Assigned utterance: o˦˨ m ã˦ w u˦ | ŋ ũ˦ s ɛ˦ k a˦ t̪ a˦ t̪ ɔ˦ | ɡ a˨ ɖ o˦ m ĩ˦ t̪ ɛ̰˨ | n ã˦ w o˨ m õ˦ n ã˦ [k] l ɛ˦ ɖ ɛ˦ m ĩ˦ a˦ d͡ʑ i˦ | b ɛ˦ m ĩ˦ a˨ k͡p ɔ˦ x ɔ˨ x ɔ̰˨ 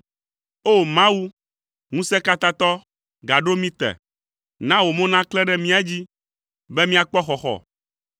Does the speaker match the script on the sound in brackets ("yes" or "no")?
yes